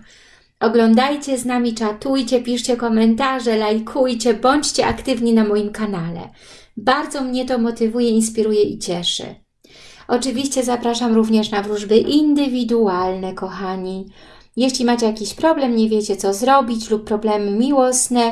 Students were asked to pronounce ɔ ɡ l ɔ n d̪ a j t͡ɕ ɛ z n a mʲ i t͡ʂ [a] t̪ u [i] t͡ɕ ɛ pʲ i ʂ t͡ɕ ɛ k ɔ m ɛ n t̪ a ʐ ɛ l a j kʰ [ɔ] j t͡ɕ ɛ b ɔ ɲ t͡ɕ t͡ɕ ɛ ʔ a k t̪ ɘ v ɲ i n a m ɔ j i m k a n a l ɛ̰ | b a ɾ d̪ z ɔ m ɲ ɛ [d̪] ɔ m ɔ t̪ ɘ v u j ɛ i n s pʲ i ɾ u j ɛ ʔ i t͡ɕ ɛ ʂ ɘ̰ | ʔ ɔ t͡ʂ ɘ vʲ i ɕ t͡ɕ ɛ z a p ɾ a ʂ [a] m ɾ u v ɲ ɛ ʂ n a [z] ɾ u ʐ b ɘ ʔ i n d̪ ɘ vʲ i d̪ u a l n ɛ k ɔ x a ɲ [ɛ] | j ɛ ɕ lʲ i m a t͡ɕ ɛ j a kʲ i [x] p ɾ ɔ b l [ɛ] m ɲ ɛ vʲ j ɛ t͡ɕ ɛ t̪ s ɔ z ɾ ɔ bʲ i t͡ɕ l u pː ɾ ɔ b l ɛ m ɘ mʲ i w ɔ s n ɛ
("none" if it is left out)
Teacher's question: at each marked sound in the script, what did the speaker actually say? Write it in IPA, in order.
a, j, u, t̪, a, v, i, ɕ, ɛ

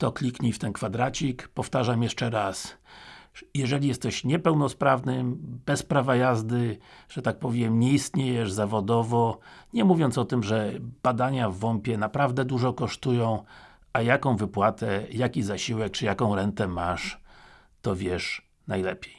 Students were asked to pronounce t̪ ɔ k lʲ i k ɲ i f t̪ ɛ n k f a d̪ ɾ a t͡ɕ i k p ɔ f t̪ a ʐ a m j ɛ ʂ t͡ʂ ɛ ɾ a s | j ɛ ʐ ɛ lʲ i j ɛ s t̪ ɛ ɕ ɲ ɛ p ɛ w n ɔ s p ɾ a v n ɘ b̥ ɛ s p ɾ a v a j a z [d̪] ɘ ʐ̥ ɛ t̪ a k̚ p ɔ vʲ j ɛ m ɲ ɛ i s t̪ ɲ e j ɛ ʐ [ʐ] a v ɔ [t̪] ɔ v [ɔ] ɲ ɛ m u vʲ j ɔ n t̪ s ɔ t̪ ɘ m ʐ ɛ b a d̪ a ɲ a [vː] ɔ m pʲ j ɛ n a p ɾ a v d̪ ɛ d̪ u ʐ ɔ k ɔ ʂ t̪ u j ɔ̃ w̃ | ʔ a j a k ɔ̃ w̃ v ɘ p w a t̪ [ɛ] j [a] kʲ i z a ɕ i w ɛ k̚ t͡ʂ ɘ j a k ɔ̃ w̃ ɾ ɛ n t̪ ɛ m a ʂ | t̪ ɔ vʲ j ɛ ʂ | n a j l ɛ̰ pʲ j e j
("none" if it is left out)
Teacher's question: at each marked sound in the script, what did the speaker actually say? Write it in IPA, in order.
d̪, z, d̪, ɔ, vː, ɛ, a

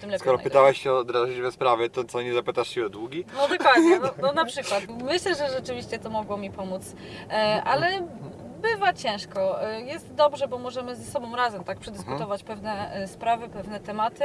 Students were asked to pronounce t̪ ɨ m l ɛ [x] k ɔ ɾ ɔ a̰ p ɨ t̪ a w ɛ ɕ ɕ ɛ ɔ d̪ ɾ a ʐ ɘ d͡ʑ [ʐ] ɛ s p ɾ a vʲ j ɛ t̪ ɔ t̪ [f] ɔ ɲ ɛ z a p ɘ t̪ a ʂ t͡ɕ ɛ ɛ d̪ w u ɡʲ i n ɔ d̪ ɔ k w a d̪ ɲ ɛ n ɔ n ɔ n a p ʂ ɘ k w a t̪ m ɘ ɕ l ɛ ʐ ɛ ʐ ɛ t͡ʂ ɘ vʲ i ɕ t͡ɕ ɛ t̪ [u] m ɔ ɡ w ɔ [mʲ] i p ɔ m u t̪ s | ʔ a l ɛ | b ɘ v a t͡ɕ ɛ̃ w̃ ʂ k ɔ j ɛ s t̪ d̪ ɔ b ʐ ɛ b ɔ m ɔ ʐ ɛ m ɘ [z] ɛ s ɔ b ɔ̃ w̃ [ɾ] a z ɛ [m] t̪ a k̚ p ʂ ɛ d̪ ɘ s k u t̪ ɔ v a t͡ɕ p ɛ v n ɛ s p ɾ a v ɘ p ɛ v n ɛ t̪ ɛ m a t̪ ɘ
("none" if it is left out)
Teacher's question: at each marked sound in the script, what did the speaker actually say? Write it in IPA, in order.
s, v, s, ɔ, mʲ, z, ɾ, m

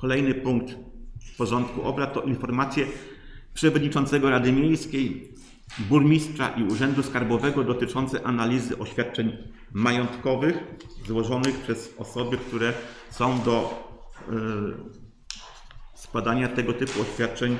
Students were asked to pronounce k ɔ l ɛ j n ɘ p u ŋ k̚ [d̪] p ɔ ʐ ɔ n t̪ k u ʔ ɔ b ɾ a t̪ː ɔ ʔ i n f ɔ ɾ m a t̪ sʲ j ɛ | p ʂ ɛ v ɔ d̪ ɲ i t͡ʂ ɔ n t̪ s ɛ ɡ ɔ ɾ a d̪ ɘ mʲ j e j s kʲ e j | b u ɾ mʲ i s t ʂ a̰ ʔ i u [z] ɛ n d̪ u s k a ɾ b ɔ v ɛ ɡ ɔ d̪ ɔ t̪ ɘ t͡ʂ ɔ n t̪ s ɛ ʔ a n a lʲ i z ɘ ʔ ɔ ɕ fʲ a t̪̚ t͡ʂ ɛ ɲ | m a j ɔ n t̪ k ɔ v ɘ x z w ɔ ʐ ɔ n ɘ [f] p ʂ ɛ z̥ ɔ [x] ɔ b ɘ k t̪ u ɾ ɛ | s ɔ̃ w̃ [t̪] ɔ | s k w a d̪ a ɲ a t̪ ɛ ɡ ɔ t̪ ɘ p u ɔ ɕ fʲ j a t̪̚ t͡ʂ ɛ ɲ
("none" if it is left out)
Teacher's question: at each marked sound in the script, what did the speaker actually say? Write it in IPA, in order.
t̪, ʐ, x, s, d̪

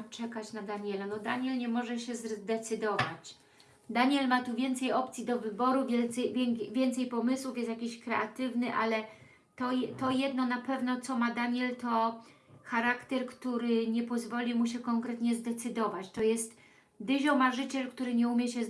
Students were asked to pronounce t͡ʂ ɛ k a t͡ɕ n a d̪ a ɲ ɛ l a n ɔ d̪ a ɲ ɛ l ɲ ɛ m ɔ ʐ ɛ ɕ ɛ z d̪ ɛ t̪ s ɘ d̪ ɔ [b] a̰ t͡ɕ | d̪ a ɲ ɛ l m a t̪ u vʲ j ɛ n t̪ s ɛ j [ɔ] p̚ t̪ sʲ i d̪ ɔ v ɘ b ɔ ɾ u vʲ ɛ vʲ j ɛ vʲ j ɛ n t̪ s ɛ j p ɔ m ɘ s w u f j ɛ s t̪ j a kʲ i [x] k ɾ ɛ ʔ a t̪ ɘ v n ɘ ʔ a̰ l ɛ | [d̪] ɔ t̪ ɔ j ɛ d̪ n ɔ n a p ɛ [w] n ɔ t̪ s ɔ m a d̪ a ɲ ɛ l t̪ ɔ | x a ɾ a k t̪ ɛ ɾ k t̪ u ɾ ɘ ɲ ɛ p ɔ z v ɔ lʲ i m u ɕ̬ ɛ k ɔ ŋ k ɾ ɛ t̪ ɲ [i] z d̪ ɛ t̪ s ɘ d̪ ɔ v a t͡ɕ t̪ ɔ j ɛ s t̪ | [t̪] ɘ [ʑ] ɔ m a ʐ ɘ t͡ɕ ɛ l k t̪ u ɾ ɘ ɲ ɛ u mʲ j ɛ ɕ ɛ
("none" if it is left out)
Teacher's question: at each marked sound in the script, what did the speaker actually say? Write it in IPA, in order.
v, ɔ, ɕ, t̪, v, ɛ, d̪, ʑ

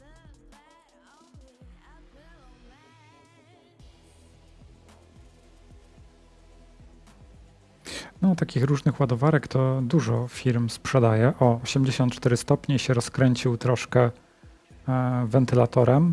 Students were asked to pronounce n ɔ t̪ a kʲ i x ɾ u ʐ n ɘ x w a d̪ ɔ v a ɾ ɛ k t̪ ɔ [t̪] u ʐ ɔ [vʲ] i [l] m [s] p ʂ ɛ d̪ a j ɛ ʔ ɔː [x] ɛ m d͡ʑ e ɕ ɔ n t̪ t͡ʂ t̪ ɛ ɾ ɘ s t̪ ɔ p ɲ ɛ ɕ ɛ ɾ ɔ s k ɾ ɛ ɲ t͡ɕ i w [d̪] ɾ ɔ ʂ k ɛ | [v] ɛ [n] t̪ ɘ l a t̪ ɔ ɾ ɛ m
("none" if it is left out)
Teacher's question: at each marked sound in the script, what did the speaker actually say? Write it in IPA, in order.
d̪, fʲ, ɾ, s, ɕ, t̪, v, n

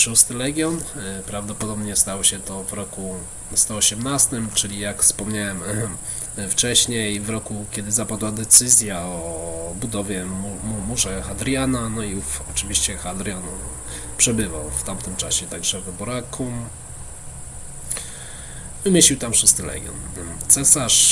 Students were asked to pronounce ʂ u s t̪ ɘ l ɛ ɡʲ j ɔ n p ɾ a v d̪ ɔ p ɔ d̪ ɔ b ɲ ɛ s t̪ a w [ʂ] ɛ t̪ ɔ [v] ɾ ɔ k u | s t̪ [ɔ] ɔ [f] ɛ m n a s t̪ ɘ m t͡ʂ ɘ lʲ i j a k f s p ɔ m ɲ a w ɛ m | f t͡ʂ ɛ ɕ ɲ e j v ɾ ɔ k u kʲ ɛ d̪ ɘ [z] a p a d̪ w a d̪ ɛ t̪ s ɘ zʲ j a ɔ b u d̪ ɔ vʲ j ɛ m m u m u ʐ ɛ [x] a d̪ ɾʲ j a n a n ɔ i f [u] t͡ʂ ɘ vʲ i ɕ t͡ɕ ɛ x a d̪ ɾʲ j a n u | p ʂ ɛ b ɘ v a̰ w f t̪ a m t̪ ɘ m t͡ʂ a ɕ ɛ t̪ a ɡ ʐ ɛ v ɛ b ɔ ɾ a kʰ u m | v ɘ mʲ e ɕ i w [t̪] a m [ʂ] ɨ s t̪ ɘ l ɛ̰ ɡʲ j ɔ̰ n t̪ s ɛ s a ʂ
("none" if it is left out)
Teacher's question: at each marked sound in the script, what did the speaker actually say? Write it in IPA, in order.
ɕ, v, ɔ, ɕ, z, x, ɔ, t̪, ʂ

